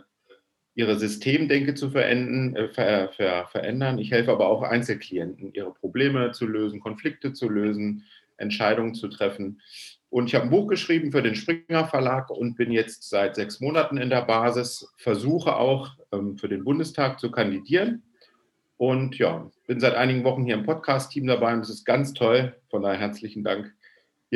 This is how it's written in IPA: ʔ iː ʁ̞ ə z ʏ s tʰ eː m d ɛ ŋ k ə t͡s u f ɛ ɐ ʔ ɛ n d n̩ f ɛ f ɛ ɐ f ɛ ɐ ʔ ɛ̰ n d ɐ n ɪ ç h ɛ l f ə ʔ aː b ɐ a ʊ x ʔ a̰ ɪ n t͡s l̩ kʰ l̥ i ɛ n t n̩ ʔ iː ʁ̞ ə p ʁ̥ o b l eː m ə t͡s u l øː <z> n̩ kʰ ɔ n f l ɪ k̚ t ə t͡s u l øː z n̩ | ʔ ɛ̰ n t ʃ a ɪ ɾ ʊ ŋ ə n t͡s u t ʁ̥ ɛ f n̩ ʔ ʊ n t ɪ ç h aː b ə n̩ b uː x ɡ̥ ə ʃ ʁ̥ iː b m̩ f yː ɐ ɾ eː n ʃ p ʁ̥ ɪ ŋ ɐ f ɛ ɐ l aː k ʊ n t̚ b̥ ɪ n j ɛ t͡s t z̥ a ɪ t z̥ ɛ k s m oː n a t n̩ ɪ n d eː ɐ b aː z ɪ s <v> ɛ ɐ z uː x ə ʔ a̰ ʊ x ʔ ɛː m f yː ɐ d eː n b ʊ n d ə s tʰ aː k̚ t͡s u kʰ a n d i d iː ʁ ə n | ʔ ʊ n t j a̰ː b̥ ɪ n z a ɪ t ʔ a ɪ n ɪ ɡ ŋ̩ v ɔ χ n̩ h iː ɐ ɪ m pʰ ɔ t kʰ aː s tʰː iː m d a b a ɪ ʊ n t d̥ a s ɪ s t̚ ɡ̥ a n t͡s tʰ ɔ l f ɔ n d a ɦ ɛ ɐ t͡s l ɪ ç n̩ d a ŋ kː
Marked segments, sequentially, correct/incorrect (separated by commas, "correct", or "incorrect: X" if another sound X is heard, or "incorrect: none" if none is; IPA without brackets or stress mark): correct, incorrect: f